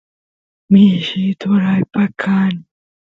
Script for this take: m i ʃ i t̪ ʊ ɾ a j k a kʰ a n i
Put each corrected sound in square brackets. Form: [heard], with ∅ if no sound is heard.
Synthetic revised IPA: m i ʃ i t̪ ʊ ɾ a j [p] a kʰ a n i

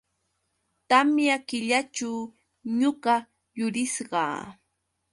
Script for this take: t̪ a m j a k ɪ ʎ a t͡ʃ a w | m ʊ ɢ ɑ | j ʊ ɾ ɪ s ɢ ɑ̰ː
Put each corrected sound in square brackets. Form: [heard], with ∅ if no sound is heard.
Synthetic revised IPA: t̪ a m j a k ɪ ʎ a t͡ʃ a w | [ɲ] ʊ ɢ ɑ | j ʊ ɾ ɪ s ɢ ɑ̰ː

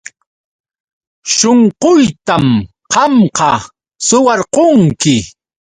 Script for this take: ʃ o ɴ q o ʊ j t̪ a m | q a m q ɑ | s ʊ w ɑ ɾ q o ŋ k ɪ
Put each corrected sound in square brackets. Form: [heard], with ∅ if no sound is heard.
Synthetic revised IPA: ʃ o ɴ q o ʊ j t̪ a m | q [ɑ] m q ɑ | s ʊ w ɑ ɾ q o ŋ k ɪ

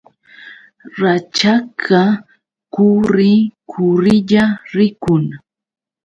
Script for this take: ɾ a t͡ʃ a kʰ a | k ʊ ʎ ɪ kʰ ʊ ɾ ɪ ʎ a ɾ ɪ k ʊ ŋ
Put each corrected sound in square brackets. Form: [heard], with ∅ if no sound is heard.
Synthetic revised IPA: ɾ a t͡ʃ a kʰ a | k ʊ [ɾ] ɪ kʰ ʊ ɾ ɪ ʎ a ɾ ɪ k ʊ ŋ

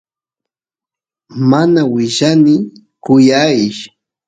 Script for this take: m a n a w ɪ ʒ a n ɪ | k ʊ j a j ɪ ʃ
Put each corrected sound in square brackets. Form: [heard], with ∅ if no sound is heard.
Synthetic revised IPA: m a n a w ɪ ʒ a n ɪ | k ʊ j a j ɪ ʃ

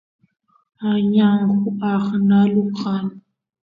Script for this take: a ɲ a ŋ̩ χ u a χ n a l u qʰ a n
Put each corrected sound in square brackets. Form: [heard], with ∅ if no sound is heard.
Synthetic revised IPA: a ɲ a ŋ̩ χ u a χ n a l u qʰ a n

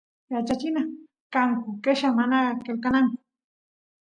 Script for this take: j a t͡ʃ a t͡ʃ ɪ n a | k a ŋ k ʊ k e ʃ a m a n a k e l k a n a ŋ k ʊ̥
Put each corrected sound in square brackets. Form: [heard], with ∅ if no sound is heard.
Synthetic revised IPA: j a t͡ʃ a t͡ʃ ɪ n a | k a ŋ k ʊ k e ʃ a m a n a k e l k a n a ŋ k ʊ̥

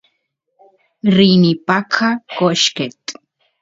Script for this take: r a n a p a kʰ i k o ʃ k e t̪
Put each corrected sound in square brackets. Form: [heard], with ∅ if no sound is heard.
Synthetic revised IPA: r [i] n [i] p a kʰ [a] k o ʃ k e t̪

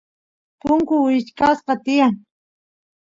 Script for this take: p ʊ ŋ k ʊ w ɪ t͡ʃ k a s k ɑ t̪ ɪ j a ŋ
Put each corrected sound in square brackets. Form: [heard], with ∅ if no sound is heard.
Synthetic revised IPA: p ʊ ŋ k ʊ w ɪ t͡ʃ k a s [q] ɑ t̪ ɪ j a ŋ

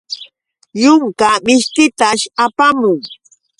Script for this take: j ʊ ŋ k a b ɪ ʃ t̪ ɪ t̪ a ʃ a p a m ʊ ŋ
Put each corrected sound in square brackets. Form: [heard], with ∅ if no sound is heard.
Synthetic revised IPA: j ʊ ŋ k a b ɪ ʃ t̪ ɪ t̪ a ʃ a p a m ʊ ŋ

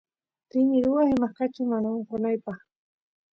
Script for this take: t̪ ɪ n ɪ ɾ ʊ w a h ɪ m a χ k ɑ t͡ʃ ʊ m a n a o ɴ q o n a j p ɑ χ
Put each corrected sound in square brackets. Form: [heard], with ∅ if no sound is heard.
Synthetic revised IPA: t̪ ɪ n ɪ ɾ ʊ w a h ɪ m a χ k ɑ t͡ʃ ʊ m a n a o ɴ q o n a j p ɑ χ

